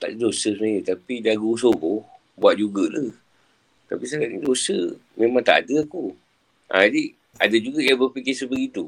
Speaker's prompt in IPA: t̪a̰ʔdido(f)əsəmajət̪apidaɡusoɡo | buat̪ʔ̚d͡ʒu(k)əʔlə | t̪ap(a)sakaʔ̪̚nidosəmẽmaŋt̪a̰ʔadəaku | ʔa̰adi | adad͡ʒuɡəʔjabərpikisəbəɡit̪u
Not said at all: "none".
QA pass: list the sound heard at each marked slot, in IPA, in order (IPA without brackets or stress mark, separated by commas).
s, ɡ, i